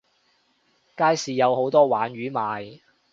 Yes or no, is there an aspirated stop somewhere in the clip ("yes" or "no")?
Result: no